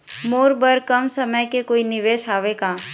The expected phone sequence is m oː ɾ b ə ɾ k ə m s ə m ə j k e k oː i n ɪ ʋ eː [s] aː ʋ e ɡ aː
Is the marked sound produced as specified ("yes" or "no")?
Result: no